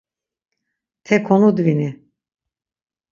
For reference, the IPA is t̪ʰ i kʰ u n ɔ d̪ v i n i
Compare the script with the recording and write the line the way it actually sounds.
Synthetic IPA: t̪ʰ ɛ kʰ ɔ n u d̪ v i n i